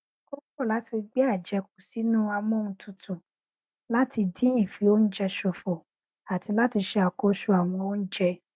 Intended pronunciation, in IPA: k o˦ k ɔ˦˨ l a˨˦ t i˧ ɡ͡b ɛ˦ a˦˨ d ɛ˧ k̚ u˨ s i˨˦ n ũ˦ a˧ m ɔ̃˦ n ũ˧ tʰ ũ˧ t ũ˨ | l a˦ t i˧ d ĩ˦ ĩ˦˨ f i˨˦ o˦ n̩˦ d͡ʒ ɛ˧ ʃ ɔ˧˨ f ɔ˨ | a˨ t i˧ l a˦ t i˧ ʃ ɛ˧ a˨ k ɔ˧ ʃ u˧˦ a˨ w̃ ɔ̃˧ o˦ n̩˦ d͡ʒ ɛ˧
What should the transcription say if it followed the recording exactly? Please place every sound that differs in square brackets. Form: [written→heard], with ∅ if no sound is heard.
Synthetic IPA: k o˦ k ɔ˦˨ l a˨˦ t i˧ ɡ͡b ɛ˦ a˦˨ [d→d͡ʒ] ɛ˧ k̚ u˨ s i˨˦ n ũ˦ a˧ m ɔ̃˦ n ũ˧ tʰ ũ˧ t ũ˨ | l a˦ t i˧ d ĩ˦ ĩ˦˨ f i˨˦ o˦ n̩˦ d͡ʒ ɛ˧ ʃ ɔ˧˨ f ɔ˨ | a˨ t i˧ l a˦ t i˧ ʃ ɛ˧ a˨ k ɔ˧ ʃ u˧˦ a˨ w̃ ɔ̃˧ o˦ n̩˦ d͡ʒ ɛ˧